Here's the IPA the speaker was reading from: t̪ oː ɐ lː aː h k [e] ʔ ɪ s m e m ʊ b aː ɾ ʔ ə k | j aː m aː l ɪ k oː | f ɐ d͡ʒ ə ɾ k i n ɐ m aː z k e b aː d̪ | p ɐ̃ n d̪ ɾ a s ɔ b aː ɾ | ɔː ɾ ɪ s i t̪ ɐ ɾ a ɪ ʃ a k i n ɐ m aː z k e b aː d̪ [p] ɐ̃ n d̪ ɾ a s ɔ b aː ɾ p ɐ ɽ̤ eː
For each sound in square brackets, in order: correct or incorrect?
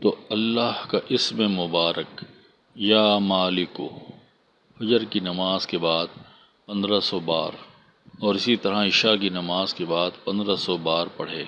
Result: incorrect: a, correct

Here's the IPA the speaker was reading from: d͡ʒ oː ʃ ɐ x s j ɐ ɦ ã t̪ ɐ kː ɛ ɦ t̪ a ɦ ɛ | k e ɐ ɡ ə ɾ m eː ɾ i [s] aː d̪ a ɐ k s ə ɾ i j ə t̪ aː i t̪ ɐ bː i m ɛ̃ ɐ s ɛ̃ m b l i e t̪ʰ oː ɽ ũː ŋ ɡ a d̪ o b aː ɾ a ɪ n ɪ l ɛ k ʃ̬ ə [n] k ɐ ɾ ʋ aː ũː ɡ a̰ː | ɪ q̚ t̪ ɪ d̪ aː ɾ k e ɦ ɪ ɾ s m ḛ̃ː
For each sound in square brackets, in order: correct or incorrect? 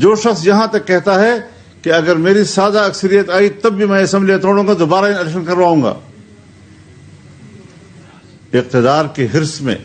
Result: correct, correct

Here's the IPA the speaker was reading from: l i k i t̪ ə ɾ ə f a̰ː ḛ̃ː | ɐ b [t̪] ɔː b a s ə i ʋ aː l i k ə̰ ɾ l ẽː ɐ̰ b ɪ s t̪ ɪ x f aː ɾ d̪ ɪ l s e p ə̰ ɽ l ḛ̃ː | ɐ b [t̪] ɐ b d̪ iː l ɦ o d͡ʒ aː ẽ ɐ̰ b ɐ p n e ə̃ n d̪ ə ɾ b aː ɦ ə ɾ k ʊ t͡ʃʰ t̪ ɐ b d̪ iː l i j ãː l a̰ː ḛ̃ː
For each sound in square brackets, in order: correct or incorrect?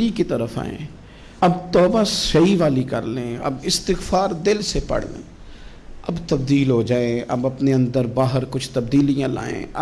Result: correct, correct

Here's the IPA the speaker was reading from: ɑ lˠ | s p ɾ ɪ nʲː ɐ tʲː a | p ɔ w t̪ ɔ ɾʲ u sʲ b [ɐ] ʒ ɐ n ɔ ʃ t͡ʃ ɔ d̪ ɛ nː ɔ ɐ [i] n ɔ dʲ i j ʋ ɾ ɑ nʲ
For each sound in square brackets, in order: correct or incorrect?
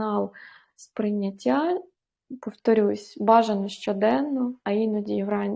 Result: incorrect: ɑ, correct

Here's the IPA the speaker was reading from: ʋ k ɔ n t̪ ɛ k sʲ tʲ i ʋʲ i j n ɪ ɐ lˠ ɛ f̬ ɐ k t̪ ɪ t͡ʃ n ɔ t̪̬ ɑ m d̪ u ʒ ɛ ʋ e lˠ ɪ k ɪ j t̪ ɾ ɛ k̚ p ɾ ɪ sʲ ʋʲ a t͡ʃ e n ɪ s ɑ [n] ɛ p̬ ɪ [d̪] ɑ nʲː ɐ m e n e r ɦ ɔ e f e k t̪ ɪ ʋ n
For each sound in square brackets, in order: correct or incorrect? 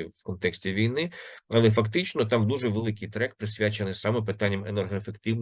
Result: incorrect: m, incorrect: t̪

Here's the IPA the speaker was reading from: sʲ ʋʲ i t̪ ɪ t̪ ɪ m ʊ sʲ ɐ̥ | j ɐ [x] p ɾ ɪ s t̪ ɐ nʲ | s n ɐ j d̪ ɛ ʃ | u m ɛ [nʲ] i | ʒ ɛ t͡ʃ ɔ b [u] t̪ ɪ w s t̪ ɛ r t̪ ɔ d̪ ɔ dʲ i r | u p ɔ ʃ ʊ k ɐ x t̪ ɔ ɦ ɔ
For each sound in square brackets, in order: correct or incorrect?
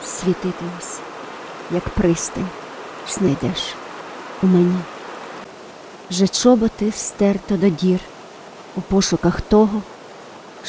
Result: incorrect: k, correct, incorrect: ɔ

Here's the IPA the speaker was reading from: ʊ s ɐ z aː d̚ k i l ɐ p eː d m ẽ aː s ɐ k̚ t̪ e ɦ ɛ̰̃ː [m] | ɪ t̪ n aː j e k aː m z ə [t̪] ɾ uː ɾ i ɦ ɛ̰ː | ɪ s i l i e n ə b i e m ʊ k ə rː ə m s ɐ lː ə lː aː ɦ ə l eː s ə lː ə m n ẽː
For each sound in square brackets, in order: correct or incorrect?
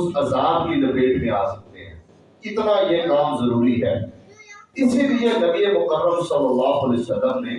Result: incorrect: none, incorrect: none

